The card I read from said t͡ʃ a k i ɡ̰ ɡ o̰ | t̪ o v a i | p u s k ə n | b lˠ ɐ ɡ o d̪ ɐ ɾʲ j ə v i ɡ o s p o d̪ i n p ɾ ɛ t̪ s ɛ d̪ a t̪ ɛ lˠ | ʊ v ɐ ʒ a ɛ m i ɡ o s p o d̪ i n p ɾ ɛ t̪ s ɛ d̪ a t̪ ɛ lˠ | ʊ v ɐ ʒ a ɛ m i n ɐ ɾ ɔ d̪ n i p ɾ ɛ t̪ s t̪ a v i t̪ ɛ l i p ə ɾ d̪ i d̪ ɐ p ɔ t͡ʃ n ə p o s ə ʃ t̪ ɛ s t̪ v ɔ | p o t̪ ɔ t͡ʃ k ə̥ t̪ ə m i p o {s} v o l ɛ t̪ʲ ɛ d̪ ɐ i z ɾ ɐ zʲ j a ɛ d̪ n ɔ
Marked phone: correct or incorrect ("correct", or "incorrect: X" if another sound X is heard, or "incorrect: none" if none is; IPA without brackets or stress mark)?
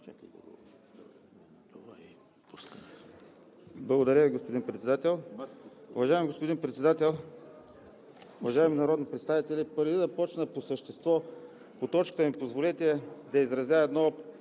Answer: incorrect: z